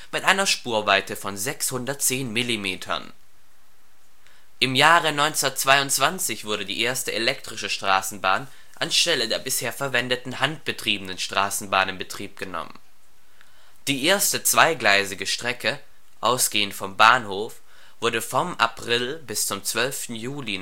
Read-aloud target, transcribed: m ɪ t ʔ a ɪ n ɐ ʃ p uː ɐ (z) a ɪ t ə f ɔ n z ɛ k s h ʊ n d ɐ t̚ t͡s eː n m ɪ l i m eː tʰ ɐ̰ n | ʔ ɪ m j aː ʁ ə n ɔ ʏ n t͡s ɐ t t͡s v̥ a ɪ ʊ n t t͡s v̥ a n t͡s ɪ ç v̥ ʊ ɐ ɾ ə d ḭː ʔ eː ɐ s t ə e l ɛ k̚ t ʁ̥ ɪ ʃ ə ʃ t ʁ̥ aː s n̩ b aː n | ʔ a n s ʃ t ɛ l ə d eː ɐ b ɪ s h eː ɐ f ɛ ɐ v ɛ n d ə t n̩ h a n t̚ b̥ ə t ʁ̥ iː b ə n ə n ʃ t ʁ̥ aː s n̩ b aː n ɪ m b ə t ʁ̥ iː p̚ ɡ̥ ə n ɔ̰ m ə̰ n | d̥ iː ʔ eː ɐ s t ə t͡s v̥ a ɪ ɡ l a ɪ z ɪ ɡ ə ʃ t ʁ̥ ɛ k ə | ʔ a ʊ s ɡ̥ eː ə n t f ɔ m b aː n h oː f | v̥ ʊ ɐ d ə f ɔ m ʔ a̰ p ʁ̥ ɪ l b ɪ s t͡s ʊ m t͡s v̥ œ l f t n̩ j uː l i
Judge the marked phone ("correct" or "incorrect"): incorrect